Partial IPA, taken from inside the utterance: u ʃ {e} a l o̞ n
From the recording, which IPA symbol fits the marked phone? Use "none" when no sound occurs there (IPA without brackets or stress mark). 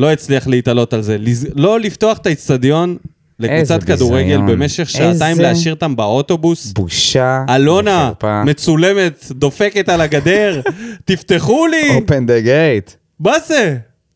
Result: a